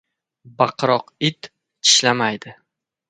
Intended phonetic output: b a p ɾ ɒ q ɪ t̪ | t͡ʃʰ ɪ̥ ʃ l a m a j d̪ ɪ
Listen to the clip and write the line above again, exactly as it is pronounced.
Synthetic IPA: b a q ɾ ɒ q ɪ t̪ | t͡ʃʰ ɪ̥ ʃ l a m a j d̪ ɪ